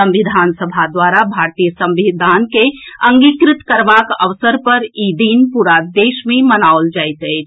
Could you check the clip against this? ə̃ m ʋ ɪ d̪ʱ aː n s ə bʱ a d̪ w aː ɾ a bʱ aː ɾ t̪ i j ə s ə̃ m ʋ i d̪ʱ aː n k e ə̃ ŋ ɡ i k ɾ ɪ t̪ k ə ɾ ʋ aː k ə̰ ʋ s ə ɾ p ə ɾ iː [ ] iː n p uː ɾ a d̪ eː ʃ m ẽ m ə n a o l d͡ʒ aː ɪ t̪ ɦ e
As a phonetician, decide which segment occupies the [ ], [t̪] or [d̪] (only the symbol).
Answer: d̪